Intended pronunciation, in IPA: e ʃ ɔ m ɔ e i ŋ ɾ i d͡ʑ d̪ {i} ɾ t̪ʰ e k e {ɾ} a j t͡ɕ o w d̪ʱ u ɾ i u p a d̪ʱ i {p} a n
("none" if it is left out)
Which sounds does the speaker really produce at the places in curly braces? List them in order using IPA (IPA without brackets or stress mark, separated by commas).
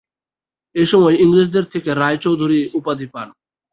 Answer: e, ɾ, p